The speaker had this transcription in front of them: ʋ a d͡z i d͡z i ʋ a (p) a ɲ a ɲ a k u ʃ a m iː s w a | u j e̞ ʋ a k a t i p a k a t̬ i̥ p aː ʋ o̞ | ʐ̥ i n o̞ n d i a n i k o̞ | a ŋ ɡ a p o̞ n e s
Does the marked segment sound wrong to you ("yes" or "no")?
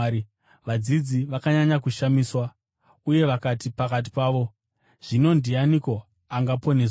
yes